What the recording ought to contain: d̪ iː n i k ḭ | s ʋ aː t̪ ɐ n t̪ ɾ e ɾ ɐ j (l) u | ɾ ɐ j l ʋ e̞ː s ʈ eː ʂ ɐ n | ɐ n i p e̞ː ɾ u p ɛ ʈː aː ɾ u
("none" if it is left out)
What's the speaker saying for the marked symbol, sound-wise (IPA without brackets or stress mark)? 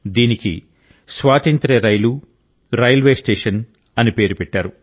l